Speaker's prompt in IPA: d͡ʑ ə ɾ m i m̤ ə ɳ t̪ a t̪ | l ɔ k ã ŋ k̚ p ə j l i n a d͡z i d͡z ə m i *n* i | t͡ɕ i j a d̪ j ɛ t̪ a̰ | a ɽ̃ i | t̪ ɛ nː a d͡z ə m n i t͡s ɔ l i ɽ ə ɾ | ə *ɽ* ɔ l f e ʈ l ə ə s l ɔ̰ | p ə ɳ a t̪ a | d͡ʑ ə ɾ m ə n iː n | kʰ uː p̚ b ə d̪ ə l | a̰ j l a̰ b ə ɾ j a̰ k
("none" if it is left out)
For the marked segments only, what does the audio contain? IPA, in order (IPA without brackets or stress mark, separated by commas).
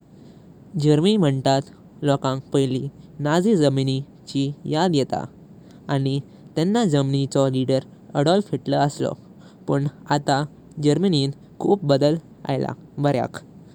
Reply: n, ɽ